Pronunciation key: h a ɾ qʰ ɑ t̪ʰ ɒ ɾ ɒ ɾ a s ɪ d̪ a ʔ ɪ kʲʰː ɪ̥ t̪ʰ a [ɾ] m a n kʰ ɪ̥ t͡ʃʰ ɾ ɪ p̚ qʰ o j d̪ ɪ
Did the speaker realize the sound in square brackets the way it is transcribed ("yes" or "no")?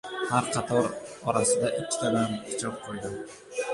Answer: no